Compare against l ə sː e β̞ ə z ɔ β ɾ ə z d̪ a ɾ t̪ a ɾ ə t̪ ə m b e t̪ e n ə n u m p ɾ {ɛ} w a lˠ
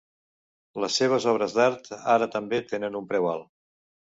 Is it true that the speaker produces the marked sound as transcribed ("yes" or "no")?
yes